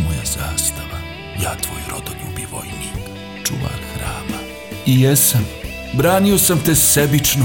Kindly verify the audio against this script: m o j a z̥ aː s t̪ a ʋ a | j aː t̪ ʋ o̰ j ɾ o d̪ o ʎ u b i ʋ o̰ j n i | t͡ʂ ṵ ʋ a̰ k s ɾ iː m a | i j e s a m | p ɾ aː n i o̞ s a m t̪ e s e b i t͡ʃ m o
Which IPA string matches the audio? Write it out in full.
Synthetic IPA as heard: m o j a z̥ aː s t̪ a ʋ a | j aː t̪ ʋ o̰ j ɾ o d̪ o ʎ u b i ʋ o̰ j n i | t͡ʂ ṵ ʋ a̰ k x ɾ aː m a | i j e s a m | b ɾ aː n i o̞ s a m t̪ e s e b i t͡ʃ n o